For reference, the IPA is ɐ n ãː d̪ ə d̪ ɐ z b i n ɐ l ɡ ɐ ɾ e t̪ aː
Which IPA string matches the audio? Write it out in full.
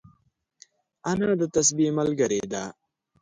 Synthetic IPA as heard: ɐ n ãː d̪ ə t̪ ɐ s b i m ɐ l ɡ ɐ ɾ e d̪ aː